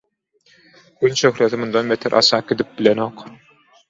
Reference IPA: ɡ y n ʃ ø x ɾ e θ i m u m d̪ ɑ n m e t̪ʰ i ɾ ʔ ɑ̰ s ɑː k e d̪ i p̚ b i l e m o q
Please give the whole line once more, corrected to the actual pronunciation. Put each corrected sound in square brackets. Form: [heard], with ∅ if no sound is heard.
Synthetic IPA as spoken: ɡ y n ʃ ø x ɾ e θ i m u [n] d̪ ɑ n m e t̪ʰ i ɾ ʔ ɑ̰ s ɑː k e d̪ i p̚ b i l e [n] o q